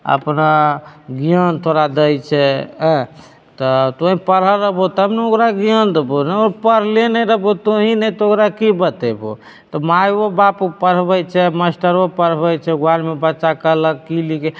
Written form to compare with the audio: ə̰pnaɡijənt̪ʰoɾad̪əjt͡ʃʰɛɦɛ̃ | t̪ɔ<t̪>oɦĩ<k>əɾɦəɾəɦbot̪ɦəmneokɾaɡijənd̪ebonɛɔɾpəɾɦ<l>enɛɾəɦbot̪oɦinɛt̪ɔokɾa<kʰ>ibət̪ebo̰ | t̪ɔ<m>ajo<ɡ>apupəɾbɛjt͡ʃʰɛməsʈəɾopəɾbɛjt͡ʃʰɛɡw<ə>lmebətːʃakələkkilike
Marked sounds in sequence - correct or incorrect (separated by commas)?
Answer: correct, incorrect, correct, incorrect, correct, incorrect, incorrect